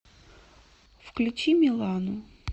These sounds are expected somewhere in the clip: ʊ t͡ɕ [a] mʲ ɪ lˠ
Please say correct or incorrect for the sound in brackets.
incorrect